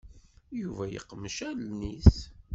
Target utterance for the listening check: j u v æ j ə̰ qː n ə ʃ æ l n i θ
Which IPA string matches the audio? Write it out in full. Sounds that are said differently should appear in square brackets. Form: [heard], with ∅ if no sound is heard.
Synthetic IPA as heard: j u v æ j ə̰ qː [m] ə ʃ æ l n i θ